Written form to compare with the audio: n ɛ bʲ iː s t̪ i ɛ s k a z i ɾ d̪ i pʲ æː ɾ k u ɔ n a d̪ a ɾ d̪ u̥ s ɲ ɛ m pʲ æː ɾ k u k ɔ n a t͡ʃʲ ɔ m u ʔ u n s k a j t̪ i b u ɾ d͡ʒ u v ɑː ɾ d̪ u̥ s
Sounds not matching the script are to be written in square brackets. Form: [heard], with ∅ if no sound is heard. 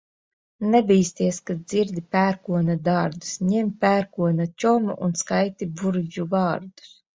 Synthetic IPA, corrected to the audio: n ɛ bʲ iː s t̪ i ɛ s k a z i ɾ d̪ i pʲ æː ɾ k u ɔ n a d̪ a ɾ d̪ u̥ s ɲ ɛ m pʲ æː ɾ k u [∅] ɔ n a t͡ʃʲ ɔ m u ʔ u n s k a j t̪ i b u ɾ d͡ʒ u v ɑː ɾ d̪ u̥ s